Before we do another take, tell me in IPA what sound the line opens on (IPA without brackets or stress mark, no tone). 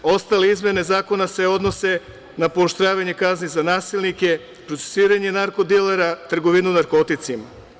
o̞